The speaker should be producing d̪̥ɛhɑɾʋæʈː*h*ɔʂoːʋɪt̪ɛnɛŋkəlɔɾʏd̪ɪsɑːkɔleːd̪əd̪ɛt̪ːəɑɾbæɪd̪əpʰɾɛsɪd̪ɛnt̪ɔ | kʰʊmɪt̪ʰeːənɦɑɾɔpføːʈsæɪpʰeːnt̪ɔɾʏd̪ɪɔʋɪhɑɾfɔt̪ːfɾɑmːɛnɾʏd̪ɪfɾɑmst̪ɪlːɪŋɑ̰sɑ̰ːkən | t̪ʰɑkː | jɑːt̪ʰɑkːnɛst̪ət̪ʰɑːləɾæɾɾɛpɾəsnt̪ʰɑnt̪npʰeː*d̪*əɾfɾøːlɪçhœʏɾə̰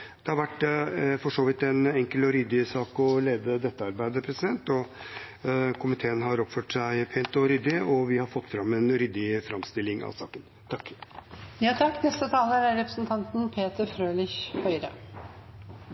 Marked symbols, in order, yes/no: no, no

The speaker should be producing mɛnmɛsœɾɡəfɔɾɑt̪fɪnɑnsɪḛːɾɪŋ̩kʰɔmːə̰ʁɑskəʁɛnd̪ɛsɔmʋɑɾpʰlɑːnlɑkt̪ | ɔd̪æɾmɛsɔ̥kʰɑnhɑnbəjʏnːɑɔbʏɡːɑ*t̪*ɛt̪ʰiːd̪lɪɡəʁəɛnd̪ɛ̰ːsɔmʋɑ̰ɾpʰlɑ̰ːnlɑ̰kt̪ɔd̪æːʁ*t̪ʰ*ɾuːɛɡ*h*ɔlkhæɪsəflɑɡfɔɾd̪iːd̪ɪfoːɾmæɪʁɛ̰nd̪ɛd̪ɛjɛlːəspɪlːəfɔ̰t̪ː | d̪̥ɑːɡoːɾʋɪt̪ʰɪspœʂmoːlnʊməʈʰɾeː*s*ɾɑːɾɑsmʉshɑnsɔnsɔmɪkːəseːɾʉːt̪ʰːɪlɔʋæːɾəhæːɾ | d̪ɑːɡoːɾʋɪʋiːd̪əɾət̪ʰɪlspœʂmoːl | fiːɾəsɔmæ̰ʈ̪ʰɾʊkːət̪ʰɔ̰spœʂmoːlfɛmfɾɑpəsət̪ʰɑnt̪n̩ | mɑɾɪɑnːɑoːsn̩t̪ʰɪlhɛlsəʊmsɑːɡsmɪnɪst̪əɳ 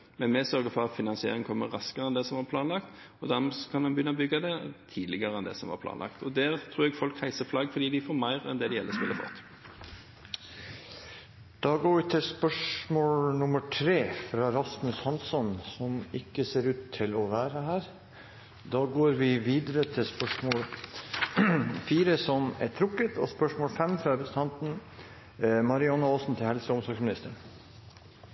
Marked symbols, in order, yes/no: no, yes, no, no

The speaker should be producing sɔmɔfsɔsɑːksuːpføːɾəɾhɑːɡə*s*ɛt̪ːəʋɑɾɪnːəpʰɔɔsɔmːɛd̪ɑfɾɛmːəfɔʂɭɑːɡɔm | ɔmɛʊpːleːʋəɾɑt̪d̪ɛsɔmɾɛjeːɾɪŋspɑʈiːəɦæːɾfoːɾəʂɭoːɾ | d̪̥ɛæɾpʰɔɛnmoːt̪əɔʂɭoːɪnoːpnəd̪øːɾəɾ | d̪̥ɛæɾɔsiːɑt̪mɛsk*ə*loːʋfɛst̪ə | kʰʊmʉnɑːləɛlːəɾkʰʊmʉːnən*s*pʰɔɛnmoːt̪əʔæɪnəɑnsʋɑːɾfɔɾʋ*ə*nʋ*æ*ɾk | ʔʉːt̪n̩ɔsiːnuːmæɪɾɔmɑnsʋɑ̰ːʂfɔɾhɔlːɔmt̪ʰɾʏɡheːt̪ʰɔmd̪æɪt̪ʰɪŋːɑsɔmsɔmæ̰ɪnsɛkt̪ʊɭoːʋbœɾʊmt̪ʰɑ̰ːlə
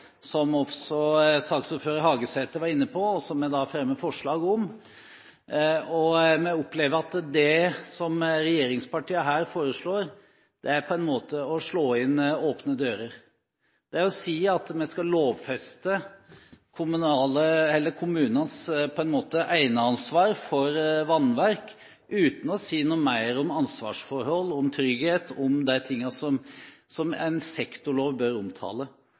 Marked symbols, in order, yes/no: yes, no, yes, no, yes

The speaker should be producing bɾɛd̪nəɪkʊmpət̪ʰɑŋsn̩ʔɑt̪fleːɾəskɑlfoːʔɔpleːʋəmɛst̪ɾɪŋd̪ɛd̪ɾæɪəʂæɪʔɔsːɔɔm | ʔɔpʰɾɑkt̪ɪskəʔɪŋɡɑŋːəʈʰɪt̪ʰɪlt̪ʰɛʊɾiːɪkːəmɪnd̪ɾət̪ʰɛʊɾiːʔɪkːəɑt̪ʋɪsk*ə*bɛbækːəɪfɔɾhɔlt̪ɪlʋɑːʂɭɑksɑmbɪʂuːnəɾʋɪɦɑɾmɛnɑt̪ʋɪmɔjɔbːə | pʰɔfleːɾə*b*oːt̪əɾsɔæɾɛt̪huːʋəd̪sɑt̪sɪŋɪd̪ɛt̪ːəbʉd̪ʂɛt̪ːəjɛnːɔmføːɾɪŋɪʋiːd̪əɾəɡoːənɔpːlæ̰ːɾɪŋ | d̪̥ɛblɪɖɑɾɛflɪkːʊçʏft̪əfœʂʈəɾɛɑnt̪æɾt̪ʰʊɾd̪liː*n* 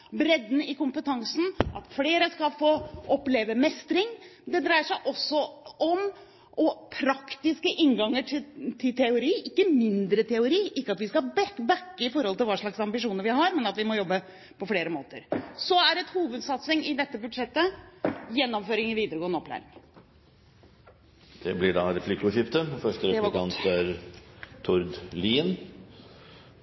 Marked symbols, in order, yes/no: no, no, yes

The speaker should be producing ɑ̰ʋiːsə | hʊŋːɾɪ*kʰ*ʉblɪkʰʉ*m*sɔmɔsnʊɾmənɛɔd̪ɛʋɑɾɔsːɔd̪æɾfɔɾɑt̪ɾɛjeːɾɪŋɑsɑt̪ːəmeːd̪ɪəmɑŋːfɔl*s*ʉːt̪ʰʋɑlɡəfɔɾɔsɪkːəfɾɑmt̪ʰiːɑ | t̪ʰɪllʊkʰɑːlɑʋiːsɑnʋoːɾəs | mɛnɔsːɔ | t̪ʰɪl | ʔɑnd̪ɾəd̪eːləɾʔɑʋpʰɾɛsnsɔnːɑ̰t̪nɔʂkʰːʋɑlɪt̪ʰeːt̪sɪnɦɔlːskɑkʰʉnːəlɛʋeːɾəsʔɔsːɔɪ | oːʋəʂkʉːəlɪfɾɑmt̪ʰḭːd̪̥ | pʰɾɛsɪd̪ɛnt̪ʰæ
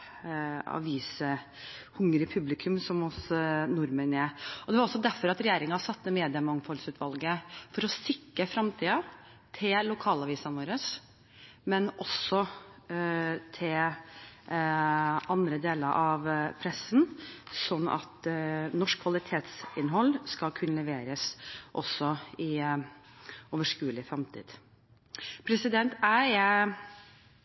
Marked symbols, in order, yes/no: no, yes, yes

